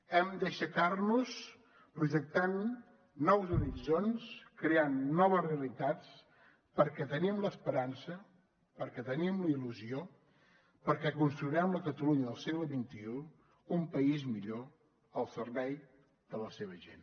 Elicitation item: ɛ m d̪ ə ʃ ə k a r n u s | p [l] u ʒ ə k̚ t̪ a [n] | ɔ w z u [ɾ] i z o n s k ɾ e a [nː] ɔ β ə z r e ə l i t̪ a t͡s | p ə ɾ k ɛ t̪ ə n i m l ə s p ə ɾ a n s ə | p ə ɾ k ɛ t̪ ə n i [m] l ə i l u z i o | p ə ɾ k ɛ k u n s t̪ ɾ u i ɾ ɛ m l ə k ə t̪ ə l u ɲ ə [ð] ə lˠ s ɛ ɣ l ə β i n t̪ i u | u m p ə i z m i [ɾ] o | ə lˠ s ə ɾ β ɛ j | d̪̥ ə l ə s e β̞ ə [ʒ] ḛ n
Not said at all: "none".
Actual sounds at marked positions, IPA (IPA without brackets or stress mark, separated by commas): ɾ, nː, ɾ, nː, m, ð, ʎ, ʒ